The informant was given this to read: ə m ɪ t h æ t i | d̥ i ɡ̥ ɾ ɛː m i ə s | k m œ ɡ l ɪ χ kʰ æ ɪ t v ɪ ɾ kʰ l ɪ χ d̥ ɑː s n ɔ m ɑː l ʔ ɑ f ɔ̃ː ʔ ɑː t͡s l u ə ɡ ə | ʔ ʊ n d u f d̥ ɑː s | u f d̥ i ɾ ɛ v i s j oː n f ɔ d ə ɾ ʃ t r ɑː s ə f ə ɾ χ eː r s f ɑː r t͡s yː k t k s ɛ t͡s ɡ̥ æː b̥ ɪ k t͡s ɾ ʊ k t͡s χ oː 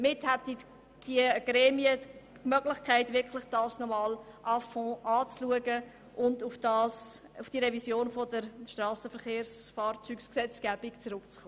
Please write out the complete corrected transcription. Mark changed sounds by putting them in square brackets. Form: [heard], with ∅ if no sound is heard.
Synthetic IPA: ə m ɪ t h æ t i | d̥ i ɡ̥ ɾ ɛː m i ə [∅] | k m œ ɡ l ɪ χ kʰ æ ɪ t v ɪ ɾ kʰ l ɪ χ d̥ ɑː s n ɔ m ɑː l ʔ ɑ f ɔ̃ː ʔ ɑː t͡s l u ə ɡ ə | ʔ ʊ n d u f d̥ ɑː s | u f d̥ i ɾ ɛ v i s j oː n f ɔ d ə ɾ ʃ t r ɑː s ə f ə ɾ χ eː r s f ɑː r t͡s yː k [s] k s ɛ t͡s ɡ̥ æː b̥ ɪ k t͡s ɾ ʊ k t͡s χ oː